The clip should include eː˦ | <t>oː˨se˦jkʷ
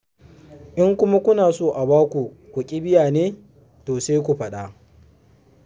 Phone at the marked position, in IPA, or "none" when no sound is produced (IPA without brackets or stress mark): t